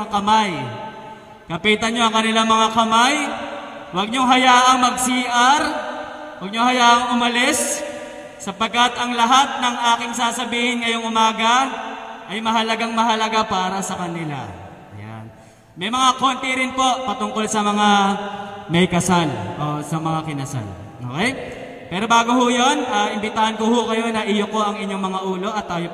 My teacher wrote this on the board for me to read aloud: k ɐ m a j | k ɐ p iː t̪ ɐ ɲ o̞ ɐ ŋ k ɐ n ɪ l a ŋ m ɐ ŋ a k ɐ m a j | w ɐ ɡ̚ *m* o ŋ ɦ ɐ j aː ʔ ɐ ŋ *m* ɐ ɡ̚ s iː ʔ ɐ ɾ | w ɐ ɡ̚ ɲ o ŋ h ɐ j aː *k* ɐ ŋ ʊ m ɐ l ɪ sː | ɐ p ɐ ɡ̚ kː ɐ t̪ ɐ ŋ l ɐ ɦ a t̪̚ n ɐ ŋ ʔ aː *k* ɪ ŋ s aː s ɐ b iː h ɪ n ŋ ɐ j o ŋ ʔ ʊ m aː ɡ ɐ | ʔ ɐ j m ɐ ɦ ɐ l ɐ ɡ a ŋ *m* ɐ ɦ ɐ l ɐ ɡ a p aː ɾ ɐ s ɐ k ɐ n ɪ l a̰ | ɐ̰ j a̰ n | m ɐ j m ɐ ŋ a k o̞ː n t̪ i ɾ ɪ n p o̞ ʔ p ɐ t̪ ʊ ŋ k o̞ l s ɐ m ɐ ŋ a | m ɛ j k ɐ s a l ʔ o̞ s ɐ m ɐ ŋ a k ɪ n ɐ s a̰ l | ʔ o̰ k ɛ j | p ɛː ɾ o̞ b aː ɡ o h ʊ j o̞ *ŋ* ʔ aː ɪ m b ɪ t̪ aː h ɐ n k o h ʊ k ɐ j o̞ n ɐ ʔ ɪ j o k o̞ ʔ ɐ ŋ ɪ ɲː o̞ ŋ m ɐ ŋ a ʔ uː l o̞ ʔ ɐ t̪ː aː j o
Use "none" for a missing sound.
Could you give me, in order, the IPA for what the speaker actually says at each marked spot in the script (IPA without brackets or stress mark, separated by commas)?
ɲ, m, ʔ, k, m, n